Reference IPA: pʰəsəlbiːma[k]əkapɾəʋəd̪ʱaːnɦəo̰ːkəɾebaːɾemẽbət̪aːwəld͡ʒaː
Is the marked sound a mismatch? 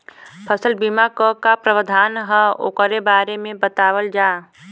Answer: no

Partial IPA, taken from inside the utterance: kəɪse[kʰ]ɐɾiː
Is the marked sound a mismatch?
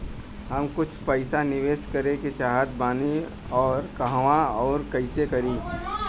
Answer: yes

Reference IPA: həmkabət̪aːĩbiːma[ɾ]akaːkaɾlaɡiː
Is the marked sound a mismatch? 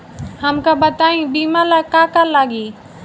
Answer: yes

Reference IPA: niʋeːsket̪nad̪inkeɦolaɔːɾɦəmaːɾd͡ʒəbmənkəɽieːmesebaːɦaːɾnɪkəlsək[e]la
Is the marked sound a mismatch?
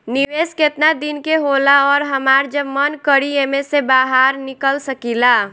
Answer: yes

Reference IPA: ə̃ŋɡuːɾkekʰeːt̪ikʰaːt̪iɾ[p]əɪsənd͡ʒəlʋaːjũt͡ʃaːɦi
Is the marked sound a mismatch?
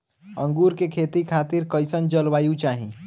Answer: yes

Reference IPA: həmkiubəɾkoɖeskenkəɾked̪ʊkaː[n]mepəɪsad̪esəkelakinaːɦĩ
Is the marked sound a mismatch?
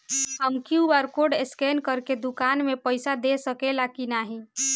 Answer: no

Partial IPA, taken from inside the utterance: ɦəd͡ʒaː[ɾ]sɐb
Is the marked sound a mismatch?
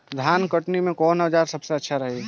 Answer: no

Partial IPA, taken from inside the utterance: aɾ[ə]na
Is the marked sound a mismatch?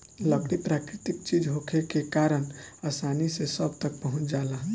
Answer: no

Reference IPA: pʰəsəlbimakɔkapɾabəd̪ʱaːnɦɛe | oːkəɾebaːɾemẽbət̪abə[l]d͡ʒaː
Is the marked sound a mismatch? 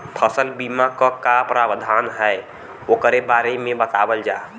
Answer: no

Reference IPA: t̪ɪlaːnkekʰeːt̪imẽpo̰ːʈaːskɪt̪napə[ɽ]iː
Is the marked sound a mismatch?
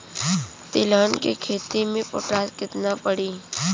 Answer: no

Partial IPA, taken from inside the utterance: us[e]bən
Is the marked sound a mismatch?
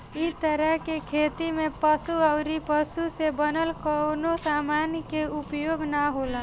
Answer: no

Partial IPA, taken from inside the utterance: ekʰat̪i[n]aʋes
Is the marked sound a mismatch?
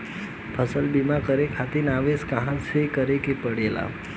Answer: no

